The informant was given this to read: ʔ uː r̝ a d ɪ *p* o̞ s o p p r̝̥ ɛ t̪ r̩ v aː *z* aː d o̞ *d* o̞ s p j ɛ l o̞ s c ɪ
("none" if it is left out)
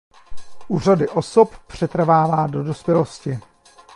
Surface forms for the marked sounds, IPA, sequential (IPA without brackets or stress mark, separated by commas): ʔ, v, d